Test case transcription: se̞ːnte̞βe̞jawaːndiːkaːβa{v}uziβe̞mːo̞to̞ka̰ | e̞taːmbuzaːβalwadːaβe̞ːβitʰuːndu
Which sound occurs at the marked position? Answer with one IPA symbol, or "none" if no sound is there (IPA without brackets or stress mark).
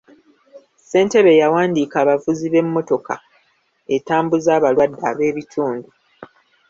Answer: v